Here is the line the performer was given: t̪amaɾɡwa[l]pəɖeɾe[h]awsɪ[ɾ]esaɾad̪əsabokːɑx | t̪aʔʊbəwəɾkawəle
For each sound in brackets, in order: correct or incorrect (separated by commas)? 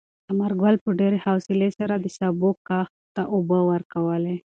correct, correct, incorrect